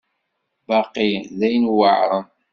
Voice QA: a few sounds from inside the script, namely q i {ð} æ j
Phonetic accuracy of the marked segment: correct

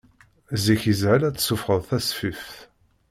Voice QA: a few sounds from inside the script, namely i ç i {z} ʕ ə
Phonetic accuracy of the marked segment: correct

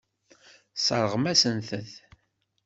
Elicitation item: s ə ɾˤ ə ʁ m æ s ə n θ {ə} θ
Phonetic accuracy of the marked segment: correct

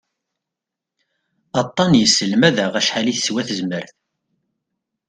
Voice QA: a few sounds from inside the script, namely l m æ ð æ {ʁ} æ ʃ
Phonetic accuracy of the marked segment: correct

